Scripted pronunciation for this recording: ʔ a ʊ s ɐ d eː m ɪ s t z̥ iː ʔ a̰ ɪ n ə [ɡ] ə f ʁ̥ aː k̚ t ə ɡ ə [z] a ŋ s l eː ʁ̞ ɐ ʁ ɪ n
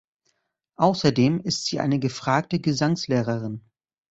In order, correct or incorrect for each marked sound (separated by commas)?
correct, correct